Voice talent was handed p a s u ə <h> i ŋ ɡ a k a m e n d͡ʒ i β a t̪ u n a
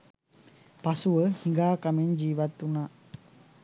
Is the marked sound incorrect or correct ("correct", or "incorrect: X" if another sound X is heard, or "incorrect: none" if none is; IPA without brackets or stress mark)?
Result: correct